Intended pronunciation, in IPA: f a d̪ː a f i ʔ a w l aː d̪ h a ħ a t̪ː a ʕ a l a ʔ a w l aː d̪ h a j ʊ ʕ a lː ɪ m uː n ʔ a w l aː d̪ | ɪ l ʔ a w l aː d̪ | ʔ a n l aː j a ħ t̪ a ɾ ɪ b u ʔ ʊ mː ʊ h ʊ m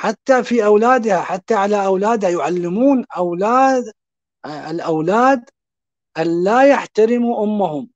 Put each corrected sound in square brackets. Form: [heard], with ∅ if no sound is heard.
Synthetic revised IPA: [ħ] a [t̪ː] a f i ʔ a w l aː d̪ h a ħ a t̪ː a ʕ a l a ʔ a w l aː d̪ h a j ʊ ʕ a lː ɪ m uː n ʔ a w l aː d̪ | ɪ l ʔ a w l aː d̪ | ʔ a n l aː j a ħ t̪ a ɾ ɪ [m] u ʔ ʊ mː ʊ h ʊ m